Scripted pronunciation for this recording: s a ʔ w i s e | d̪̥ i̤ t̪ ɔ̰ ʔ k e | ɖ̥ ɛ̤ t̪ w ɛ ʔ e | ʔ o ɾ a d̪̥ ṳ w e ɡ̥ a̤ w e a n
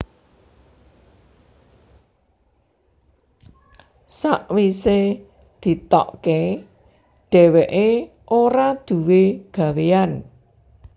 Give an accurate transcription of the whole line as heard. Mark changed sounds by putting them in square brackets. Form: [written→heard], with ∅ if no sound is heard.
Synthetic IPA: s a ʔ w i s e | d̪̥ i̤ t̪ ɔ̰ ʔ k e | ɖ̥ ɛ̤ [t̪→∅] w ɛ ʔ e | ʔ o ɾ a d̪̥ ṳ w e ɡ̥ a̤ w e a n